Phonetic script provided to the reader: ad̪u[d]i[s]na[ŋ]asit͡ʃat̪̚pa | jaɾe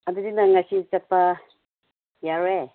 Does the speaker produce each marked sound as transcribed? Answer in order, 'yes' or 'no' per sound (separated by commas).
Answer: yes, no, yes